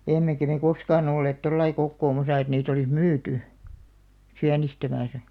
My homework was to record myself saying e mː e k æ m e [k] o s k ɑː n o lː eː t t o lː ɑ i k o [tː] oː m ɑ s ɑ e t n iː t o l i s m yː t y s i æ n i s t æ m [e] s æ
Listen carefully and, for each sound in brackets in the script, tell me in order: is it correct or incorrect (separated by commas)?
correct, incorrect, incorrect